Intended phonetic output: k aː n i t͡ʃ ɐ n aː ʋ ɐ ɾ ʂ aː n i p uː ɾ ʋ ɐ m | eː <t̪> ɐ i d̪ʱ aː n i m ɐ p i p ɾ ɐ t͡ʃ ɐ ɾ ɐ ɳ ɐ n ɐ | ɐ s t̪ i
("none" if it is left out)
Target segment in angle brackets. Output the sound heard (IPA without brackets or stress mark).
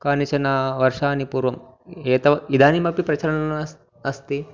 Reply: t̪